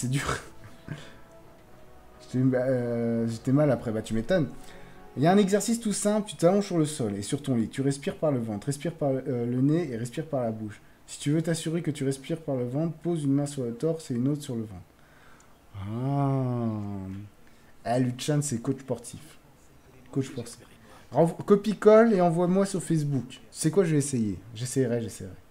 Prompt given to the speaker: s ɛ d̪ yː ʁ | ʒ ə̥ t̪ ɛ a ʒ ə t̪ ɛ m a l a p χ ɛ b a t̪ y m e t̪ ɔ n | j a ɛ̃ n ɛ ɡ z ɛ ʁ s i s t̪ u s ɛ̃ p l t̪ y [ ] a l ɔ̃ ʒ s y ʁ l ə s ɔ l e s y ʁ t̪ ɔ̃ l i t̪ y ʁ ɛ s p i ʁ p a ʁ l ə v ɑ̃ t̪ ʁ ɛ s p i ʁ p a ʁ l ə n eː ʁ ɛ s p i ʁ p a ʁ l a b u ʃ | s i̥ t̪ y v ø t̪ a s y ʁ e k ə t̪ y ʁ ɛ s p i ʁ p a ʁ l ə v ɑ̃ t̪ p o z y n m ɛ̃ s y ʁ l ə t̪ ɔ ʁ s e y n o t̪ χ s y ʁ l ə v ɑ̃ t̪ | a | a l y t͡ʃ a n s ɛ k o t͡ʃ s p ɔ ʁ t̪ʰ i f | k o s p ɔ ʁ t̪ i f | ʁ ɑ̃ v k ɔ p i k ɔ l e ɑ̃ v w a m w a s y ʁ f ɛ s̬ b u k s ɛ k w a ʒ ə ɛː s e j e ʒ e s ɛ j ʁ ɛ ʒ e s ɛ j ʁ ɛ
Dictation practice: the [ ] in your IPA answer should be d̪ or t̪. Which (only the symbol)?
t̪